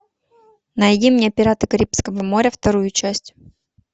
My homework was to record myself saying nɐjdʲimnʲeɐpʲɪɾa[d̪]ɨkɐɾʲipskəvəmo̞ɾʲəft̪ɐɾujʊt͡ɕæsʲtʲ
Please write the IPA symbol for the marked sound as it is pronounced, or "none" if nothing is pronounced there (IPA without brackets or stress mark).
t̪